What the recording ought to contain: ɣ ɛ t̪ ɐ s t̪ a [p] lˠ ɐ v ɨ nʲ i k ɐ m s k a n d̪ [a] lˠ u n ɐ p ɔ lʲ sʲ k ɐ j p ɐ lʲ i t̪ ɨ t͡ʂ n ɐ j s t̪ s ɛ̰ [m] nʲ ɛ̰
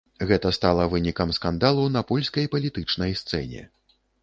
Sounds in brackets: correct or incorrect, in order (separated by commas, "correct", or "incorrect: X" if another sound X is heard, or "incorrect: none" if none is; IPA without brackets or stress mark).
incorrect: none, correct, incorrect: none